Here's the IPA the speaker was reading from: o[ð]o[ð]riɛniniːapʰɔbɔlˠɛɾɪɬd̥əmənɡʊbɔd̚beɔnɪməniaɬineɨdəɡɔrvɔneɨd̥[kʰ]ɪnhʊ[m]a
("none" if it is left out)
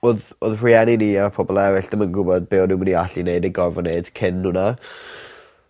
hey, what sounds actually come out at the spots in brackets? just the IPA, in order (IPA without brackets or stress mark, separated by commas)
ð, ð, kʰ, n